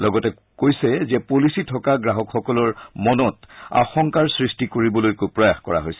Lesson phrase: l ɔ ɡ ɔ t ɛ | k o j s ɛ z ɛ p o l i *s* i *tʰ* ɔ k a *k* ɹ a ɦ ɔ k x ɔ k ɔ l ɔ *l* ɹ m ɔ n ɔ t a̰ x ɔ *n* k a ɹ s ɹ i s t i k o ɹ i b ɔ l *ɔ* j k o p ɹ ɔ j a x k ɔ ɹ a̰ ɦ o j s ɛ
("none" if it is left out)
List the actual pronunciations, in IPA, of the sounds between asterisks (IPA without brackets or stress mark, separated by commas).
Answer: s, tʰ, ɡ, none, ŋ, o